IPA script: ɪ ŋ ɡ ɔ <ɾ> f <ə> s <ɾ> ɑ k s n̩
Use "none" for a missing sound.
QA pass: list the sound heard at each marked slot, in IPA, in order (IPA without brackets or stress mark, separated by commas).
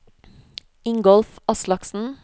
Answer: l, ɑ, l